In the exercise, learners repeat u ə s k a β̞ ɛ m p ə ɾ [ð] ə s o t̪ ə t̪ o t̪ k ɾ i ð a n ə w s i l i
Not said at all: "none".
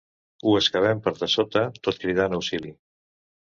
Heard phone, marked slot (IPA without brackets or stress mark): ð